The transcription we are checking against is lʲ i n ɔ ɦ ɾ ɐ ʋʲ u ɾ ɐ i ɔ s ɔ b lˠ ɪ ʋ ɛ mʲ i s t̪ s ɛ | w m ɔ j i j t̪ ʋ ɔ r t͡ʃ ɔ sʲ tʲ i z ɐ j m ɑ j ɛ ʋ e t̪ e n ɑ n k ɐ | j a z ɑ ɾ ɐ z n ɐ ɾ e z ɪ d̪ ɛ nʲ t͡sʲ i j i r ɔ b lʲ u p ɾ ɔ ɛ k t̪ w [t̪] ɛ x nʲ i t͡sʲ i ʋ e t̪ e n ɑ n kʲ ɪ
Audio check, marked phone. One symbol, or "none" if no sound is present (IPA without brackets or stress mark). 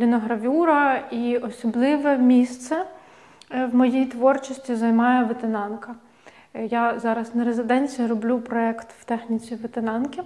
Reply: t̪